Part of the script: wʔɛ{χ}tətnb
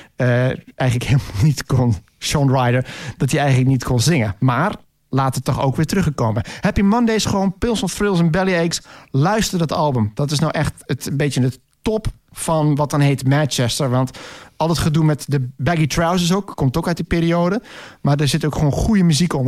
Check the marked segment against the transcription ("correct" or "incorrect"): incorrect